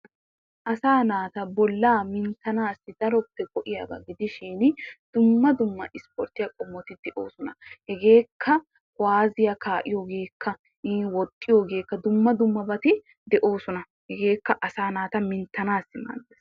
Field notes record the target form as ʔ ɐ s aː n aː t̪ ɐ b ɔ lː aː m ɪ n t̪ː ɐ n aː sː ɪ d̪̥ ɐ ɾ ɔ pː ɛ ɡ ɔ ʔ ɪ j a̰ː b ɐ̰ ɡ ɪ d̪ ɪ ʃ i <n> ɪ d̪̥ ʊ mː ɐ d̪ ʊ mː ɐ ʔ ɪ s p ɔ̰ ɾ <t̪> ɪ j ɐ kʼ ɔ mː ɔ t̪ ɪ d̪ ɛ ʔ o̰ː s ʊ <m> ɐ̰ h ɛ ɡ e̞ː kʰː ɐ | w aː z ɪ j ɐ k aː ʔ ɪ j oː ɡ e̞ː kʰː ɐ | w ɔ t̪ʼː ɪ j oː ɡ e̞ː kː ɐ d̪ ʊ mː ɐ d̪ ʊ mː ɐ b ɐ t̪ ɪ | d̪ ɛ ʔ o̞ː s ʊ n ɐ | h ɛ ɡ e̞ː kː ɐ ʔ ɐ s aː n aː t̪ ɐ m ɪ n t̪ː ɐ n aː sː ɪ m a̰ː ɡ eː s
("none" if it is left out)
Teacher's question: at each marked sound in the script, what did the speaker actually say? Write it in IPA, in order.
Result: n, t̪, n

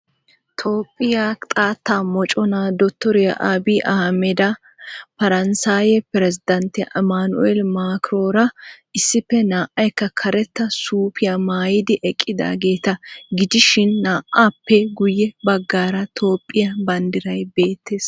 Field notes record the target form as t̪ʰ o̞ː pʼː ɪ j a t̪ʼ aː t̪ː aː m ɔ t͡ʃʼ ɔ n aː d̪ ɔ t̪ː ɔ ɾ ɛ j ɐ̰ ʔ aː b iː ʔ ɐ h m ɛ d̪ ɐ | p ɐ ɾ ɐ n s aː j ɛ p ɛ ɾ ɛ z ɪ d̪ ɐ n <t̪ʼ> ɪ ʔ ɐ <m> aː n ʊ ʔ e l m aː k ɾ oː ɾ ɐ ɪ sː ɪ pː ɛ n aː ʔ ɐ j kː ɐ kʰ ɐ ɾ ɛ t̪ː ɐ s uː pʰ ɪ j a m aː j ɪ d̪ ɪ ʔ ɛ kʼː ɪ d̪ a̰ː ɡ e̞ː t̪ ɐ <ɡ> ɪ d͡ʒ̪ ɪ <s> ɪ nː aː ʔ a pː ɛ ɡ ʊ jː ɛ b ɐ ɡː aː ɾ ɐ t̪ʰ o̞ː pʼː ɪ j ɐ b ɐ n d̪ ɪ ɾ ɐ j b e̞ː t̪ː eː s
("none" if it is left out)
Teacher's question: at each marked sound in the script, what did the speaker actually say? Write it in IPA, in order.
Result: t̪, m, ɡ, ʃ

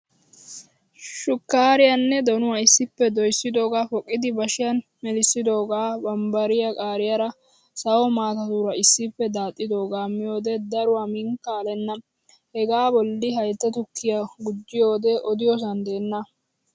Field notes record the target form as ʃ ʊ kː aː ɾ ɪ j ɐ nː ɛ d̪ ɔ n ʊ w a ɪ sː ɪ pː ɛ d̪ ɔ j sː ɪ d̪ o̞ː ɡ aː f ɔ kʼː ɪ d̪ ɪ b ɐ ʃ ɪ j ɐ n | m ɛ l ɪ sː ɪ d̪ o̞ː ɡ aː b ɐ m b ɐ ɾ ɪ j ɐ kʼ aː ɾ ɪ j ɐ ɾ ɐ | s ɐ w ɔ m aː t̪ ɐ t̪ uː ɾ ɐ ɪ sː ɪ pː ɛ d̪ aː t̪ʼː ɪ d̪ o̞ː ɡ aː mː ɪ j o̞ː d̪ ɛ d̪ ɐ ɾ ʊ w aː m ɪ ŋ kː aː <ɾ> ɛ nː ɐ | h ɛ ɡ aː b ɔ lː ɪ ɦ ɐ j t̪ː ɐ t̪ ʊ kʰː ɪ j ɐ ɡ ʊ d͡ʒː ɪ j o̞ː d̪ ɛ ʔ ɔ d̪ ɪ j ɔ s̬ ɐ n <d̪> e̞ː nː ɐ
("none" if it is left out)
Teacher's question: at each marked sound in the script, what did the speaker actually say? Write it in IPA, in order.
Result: l, d̪

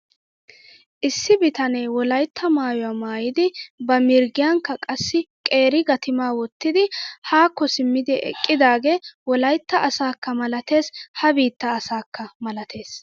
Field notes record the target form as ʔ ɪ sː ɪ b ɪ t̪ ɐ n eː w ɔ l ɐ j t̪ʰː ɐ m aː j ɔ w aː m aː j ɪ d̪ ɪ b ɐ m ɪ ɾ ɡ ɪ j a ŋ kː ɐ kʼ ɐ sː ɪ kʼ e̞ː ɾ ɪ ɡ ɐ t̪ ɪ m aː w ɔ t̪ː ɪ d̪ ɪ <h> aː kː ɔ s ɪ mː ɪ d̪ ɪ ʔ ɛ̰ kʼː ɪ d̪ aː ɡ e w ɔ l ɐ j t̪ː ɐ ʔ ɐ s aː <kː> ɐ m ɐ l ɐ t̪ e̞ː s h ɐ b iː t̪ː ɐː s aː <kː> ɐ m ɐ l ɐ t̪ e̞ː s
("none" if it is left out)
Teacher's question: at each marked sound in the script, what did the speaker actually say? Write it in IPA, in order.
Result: h, kː, kː

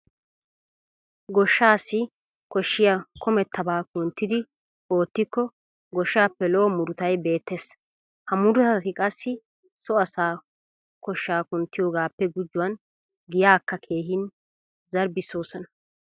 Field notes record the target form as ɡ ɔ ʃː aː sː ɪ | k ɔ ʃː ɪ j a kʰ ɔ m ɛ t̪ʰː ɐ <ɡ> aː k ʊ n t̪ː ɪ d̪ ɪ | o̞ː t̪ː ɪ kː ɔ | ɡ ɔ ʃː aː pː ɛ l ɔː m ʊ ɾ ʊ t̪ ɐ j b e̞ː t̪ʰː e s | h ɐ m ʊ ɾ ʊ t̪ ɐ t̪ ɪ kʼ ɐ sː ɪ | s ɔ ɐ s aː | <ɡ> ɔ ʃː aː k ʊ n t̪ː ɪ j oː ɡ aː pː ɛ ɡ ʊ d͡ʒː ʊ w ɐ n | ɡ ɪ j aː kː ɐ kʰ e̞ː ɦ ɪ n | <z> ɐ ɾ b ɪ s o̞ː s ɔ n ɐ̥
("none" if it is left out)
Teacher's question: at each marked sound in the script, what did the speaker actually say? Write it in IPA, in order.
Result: b, k, z

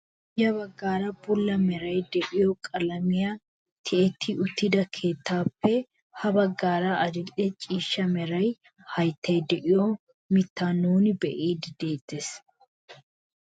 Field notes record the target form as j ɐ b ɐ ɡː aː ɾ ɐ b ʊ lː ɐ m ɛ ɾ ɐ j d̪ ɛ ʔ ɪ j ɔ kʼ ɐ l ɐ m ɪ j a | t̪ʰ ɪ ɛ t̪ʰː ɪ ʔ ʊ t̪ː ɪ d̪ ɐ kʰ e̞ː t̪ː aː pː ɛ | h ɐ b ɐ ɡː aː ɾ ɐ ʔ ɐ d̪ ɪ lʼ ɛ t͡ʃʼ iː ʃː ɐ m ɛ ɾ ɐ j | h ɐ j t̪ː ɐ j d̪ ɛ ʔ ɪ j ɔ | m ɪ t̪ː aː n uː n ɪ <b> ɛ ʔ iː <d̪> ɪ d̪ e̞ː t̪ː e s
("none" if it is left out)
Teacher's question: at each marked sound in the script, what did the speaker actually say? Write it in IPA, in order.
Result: b, d̪

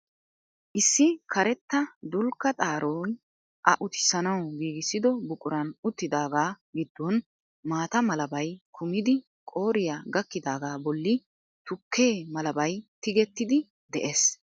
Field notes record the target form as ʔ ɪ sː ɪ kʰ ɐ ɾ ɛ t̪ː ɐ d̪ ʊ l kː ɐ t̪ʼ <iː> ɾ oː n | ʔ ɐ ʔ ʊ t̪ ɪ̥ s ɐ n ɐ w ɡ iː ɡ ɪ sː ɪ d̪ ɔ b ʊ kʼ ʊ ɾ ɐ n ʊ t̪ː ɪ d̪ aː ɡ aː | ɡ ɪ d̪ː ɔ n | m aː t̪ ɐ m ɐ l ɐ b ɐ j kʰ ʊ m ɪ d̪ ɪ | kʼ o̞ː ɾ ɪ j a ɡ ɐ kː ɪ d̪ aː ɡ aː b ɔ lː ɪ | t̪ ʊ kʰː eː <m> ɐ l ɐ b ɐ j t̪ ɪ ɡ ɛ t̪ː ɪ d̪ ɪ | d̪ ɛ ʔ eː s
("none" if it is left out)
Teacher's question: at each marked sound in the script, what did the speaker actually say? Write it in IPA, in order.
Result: aː, m

